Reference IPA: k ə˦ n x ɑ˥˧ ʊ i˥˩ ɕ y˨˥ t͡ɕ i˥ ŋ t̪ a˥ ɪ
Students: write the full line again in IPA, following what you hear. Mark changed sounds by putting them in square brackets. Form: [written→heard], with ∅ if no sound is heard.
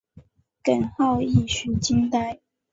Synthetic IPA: k [ə˦→ə˨˩] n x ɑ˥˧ ʊ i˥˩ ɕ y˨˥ t͡ɕ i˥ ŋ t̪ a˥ ɪ